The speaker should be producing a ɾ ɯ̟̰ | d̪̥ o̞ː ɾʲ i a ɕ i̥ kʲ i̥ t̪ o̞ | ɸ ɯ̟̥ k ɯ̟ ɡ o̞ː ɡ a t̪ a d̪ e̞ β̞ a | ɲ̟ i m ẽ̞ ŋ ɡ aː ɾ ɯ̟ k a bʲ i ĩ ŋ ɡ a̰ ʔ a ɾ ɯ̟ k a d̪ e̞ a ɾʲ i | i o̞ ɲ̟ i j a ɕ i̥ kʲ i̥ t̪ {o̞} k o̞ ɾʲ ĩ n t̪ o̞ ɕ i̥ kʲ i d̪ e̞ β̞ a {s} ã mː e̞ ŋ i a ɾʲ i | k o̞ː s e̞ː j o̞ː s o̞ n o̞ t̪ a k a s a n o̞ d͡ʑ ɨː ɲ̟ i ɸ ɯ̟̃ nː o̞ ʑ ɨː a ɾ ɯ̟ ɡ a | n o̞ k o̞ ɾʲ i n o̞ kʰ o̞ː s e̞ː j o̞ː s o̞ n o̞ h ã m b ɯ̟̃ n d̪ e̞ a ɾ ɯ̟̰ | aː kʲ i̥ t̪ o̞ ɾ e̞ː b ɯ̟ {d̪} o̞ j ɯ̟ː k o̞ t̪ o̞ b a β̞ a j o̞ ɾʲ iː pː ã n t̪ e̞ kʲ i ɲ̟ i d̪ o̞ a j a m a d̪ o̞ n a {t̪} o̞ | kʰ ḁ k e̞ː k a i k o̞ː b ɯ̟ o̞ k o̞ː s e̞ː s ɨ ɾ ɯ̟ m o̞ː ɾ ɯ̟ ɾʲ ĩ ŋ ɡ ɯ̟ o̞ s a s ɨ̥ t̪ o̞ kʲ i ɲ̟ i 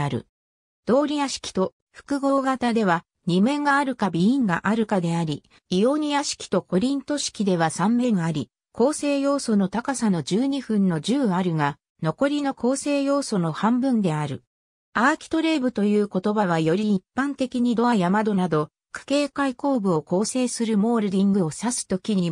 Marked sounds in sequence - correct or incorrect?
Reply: correct, correct, incorrect, incorrect

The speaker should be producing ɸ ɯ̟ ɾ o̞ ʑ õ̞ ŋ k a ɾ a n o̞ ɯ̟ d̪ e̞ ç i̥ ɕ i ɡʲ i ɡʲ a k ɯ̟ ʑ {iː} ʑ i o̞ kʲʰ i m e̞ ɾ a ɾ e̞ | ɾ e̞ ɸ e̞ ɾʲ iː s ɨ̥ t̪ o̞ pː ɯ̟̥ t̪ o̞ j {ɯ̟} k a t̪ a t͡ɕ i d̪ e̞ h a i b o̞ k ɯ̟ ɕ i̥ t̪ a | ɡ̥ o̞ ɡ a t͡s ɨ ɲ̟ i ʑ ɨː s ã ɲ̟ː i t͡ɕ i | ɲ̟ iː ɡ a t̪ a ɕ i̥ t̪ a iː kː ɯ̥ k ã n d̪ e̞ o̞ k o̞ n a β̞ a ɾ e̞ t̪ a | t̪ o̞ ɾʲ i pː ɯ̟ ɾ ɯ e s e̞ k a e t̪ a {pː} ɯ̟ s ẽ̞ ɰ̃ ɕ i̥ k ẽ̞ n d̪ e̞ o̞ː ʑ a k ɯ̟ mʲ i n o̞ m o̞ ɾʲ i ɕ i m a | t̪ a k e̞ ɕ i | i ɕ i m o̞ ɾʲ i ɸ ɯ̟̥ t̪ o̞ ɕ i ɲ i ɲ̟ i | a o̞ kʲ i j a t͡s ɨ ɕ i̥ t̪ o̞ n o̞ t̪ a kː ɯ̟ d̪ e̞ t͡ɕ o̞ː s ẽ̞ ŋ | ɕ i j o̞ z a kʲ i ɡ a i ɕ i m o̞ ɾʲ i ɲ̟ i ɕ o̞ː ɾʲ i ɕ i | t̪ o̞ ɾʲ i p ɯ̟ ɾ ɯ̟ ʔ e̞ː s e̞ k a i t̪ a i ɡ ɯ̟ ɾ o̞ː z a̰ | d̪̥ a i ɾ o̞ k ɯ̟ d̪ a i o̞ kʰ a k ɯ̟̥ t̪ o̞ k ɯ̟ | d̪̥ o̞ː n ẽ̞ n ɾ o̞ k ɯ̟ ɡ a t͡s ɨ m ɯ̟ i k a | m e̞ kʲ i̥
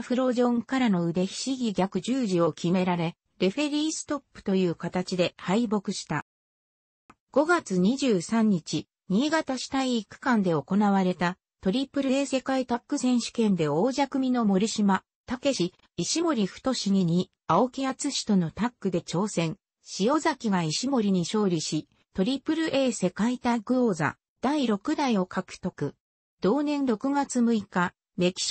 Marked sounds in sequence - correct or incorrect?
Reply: incorrect, incorrect, incorrect

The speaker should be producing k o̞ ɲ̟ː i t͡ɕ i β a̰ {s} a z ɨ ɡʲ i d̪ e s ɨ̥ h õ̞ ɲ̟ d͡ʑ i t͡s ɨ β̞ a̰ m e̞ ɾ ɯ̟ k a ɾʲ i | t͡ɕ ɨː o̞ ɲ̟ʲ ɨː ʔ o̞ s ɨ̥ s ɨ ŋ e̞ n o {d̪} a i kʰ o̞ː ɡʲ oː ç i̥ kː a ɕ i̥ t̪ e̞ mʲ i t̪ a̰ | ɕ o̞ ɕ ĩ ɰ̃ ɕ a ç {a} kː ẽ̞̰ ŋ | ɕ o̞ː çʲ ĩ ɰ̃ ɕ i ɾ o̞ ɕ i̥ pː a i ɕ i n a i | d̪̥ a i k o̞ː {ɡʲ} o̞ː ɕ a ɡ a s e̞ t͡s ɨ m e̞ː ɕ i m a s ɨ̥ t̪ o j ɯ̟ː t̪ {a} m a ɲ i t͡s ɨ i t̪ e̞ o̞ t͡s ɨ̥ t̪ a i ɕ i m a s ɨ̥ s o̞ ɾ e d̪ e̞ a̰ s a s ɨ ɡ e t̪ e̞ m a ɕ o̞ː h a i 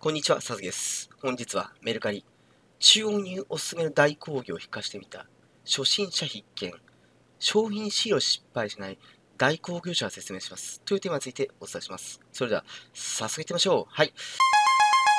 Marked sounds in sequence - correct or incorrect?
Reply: correct, correct, incorrect, correct, incorrect

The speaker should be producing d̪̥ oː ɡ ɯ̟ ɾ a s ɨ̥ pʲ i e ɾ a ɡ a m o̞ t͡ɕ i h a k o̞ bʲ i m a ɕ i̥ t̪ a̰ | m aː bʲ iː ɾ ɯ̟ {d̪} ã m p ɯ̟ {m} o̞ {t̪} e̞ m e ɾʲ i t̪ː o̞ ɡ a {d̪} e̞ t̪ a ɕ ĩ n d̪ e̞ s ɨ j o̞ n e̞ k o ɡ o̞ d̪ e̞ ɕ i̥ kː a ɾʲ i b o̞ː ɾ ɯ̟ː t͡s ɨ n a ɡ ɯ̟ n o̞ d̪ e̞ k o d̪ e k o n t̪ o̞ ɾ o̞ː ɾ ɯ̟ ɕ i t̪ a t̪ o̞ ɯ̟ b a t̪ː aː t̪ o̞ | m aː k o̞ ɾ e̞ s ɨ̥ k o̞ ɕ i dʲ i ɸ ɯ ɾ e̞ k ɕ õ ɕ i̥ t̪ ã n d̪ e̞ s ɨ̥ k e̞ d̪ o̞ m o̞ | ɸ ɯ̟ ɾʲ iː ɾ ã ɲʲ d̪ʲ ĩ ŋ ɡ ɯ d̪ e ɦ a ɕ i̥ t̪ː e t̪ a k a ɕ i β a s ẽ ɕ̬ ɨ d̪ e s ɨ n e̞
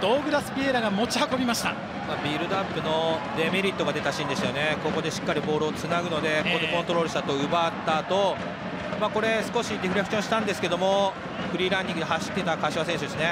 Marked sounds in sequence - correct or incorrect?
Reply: correct, incorrect, incorrect, correct

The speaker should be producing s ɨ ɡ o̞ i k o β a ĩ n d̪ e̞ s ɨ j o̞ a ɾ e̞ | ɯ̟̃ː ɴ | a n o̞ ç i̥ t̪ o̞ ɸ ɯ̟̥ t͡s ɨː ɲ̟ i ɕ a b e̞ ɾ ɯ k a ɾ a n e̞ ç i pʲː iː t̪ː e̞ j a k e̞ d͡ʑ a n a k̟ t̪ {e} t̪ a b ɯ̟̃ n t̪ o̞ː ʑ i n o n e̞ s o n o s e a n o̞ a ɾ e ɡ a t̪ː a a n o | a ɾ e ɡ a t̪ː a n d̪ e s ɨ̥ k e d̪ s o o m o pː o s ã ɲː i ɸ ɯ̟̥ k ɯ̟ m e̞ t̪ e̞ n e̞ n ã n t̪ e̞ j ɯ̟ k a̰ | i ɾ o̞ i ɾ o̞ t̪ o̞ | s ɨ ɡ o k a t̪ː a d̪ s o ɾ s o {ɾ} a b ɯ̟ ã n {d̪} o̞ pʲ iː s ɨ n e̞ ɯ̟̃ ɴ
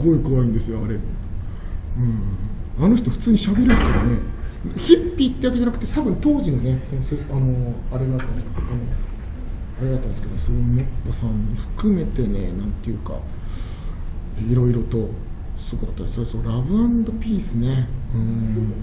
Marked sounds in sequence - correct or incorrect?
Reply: correct, correct, correct

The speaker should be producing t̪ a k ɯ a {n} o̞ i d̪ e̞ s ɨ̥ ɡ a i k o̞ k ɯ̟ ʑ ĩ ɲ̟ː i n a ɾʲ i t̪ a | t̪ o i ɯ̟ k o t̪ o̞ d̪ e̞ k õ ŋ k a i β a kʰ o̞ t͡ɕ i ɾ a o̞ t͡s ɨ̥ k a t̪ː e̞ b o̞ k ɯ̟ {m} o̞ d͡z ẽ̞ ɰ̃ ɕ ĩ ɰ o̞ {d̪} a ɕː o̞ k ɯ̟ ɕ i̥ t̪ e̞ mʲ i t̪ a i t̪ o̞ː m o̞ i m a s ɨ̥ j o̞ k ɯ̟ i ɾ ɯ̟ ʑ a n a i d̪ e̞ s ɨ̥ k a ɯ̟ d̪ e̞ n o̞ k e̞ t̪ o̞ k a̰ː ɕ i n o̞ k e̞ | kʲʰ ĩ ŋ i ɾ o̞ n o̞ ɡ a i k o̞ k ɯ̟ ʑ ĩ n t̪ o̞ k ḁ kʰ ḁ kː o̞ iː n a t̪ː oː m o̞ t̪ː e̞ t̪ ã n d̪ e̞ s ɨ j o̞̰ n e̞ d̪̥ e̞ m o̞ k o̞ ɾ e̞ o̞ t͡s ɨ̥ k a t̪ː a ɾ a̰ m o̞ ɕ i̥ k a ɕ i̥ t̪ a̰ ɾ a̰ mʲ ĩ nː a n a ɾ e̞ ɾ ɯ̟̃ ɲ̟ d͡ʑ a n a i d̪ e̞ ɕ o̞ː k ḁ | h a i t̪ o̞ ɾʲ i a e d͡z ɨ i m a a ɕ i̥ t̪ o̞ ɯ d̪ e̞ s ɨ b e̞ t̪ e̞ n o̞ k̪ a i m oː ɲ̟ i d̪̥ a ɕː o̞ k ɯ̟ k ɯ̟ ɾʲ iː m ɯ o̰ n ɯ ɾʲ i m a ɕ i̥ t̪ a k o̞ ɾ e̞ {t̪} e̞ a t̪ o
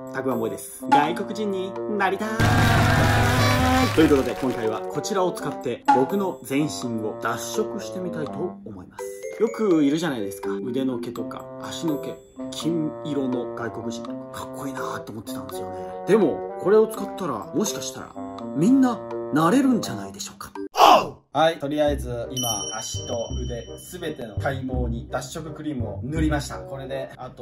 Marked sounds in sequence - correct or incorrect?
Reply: incorrect, incorrect, correct, incorrect

